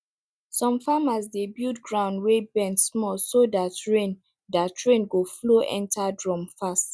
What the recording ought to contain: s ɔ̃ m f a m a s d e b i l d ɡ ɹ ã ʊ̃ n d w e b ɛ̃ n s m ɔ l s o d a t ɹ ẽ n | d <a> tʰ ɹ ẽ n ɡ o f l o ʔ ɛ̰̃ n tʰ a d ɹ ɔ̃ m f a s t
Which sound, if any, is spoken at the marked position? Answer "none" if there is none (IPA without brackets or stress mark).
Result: a